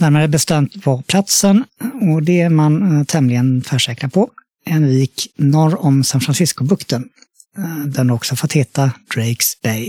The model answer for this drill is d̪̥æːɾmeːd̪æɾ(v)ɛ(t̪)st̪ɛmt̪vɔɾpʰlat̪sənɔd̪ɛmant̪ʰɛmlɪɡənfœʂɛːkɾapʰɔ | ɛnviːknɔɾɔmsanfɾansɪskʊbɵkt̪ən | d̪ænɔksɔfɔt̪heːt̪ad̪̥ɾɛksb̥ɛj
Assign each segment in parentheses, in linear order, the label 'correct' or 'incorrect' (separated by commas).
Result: incorrect, incorrect